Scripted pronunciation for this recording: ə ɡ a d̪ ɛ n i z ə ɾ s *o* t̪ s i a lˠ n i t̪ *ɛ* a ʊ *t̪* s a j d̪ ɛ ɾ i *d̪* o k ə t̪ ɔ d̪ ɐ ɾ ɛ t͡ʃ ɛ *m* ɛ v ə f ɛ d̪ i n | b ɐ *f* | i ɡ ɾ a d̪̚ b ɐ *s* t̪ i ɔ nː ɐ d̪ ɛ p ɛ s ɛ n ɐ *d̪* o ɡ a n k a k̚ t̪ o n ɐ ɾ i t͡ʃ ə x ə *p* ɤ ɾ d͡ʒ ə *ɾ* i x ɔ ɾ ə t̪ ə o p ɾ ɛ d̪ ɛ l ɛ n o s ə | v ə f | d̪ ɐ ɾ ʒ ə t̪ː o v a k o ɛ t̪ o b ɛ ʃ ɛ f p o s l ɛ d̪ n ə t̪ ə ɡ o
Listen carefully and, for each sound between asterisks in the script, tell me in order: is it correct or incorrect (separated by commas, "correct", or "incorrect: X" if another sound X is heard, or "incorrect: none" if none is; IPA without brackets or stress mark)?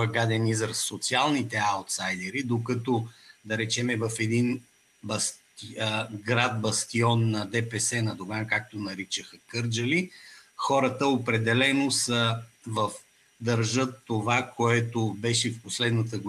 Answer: correct, correct, correct, correct, correct, incorrect: s, correct, correct, incorrect: k, incorrect: l